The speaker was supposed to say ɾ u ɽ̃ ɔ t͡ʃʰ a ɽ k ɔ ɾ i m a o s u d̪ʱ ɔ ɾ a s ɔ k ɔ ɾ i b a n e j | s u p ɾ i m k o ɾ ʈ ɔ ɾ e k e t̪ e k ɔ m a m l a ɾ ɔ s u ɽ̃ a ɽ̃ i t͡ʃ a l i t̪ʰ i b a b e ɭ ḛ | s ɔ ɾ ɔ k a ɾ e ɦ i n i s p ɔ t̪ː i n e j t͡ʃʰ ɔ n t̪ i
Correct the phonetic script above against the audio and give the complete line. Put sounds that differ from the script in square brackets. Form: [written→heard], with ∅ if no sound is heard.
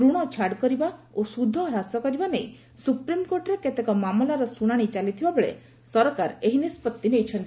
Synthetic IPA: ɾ u ɽ̃ ɔ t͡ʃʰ a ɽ k ɔ ɾ i [m→b] a o s u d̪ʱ ɔ ɾ a s ɔ k ɔ ɾ i b a n e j | s u p ɾ i m k o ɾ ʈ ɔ ɾ e k e t̪ e k ɔ m a m l a ɾ ɔ s u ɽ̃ a ɽ̃ i t͡ʃ a l i t̪ʰ i b a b e ɭ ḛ | s ɔ ɾ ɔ k a ɾ e ɦ i n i s p ɔ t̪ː i n e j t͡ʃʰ ɔ n t̪ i